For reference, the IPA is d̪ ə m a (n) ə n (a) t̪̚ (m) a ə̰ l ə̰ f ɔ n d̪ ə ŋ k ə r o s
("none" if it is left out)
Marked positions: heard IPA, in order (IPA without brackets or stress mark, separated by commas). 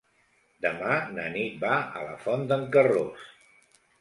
n, i, b